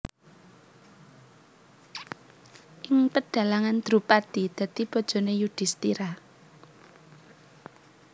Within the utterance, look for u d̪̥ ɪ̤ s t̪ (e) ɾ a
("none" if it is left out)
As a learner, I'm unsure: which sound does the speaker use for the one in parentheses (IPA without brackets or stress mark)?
i